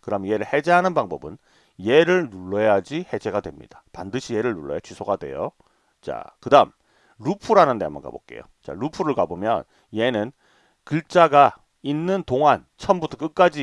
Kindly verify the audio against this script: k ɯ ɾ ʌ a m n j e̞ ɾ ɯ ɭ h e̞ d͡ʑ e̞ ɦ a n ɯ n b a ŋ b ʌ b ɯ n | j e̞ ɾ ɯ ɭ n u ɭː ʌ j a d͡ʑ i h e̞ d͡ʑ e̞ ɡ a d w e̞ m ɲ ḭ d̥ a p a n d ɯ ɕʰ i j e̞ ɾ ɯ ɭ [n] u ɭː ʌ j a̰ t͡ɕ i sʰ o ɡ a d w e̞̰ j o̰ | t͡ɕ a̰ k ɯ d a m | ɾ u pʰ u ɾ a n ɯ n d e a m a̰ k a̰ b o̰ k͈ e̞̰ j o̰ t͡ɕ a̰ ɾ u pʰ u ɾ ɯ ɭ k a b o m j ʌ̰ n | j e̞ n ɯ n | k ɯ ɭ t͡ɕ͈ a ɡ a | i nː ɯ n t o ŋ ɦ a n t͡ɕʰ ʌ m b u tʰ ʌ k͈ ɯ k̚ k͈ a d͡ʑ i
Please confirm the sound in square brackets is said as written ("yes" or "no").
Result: yes